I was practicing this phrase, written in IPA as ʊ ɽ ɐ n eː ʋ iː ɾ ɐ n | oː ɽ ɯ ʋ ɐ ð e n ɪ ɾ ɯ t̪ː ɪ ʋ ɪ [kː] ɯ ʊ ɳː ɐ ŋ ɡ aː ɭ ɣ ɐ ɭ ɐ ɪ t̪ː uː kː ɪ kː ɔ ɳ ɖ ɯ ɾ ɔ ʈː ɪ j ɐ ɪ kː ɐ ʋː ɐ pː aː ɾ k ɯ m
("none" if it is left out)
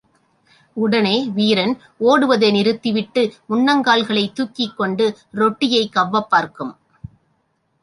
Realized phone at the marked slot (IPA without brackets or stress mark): ʈː